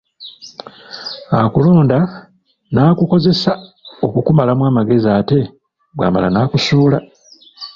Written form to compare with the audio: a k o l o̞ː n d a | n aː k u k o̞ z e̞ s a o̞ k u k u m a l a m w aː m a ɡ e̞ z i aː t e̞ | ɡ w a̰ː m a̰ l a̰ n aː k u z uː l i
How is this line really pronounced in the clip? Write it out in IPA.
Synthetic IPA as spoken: a k u l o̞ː n d a | n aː k u k o̞ z e̞ s a o̞ k u k u m a l a m w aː m a ɡ e̞ z i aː t e̞ | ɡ w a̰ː m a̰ l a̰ n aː k u s uː l a